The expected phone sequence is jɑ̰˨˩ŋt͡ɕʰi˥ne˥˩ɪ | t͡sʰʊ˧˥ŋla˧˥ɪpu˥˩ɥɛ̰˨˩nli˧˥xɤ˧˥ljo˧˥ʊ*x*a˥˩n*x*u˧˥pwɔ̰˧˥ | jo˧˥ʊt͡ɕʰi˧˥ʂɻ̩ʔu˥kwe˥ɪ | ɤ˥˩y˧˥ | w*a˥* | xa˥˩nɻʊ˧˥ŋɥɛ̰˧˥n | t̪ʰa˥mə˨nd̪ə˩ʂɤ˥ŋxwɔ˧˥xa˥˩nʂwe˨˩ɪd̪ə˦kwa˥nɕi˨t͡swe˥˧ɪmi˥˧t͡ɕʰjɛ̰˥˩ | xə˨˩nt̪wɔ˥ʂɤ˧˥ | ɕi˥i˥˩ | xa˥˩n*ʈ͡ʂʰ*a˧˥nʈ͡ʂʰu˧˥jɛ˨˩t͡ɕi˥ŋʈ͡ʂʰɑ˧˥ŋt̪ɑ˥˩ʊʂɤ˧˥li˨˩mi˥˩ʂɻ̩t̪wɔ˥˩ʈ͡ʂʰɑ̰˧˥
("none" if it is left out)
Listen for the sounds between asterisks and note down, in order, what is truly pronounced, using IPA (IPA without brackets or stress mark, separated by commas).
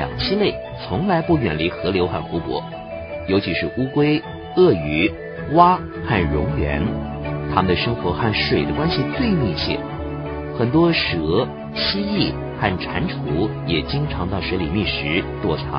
x, x, a˥, ʈ͡ʂʰ